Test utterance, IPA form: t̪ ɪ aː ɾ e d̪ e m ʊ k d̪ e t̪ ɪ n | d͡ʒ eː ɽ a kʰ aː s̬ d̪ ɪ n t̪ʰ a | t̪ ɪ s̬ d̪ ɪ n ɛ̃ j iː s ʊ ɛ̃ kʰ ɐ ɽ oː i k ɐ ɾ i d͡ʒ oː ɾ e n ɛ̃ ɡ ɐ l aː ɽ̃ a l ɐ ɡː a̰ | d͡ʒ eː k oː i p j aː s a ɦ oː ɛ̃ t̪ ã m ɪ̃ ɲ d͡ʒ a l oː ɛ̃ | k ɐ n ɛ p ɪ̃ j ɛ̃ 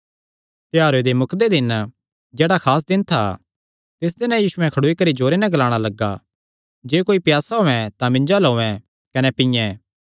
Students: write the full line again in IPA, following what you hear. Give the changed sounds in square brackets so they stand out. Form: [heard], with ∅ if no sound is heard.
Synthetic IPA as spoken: t̪ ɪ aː ɾ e d̪ e m ʊ k d̪ e [d̪] ɪ n | d͡ʒ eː ɽ a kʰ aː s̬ d̪ ɪ n t̪ʰ a | t̪ ɪ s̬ d̪ ɪ n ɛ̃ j iː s ʊ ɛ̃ kʰ ɐ ɽ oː i k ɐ ɾ i d͡ʒ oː ɾ e n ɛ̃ ɡ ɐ l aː ɽ̃ a l ɐ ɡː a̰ | d͡ʒ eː k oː i p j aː s a ɦ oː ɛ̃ t̪ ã m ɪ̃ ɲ d͡ʒ a l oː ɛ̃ | k ɐ n ɛ p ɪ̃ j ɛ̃